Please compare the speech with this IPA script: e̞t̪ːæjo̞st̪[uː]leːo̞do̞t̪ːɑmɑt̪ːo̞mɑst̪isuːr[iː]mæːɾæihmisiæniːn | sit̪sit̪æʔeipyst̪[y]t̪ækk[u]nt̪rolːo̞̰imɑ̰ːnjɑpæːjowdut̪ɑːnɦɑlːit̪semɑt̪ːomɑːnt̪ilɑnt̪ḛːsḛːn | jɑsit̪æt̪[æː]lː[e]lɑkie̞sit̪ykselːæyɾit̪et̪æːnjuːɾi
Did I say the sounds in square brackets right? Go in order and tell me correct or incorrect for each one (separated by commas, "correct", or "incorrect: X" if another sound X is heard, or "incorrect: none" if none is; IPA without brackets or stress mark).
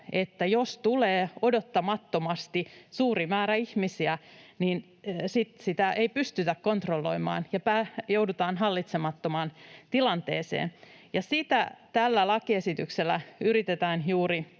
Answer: incorrect: u, incorrect: i, correct, incorrect: o, incorrect: æ, incorrect: æ